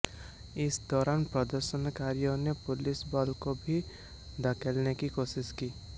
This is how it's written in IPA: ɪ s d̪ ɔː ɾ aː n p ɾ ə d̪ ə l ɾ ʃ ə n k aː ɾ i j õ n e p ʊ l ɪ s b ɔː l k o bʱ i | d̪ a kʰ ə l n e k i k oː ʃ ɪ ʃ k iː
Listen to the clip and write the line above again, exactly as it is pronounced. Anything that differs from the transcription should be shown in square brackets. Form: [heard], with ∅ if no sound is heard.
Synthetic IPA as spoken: ɪ s d̪ ɔː ɾ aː n p ɾ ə d̪ ə [∅] ɾ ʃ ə n k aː ɾ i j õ n e p ʊ l ɪ s b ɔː l k o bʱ i | d̪ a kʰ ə l n e k i k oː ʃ ɪ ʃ k iː